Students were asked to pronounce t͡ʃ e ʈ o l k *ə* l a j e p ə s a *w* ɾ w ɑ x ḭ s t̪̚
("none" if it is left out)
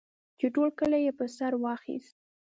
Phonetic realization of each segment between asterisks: ə, none

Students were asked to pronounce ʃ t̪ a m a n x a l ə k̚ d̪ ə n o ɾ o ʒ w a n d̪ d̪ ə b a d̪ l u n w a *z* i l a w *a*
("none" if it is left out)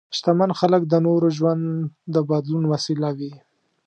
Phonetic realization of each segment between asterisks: s, i

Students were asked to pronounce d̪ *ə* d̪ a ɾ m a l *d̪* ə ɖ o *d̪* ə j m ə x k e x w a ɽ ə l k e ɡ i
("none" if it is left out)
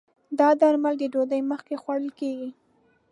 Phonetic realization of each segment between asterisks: ɑ, d̪, d̪

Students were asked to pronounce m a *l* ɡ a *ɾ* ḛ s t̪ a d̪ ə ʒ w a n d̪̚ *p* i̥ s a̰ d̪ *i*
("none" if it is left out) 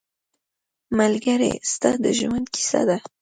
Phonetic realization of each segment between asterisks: l, ɾ, k, a

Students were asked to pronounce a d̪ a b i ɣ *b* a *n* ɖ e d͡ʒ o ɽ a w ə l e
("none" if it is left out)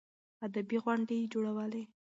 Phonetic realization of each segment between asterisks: w, ɳ

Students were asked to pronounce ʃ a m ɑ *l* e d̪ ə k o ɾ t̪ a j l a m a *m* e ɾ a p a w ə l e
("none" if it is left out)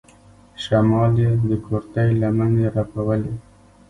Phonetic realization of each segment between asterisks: l, n

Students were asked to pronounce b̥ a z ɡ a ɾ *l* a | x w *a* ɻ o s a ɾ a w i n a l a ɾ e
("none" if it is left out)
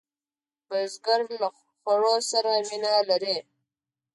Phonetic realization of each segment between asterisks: l, a

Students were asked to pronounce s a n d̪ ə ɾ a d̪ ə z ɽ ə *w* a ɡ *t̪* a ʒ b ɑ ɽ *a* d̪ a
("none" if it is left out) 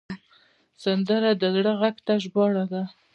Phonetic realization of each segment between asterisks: ɣ, t̪, a

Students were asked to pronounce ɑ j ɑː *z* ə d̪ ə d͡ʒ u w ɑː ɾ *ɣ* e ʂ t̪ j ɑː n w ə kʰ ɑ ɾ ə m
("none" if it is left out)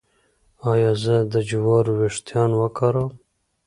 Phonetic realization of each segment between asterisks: z, w

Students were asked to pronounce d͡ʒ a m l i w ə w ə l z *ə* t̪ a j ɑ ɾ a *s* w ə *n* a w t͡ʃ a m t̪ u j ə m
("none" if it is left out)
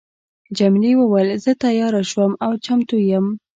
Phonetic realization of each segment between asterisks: ə, ʃ, m

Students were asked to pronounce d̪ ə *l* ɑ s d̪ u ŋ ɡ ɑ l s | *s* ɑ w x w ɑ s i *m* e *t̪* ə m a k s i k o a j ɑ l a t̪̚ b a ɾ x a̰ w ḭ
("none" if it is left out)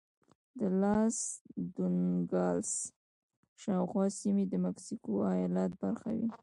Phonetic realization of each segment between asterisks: l, ʃ, m, d̪

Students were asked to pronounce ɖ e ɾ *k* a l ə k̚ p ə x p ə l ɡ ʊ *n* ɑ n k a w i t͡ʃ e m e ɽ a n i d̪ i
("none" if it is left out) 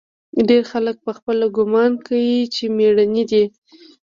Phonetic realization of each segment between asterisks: x, m

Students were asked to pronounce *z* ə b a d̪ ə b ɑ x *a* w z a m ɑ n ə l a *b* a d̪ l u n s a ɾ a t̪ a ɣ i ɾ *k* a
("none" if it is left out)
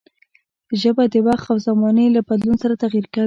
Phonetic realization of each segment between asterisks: ʒ, a, b, k

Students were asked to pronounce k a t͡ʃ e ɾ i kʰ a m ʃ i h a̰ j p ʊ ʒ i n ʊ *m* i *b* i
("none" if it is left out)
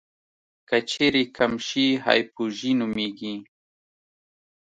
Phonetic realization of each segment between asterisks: m, ɡ

